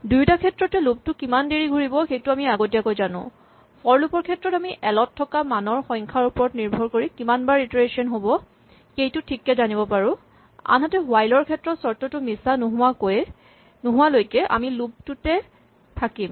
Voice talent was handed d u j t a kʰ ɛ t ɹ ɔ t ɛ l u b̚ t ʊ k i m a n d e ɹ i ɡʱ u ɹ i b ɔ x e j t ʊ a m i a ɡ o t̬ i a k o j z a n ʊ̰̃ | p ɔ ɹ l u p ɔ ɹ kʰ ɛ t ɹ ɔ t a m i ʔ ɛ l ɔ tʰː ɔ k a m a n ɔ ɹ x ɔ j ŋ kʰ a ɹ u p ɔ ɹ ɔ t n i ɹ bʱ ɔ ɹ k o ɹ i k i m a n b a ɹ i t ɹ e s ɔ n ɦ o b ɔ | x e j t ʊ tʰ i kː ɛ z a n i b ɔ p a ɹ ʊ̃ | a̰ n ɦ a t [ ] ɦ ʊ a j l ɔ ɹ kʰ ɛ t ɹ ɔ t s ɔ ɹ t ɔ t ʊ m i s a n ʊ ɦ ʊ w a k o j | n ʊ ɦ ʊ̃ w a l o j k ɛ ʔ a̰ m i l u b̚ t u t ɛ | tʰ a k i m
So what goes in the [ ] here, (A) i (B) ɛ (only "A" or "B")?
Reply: B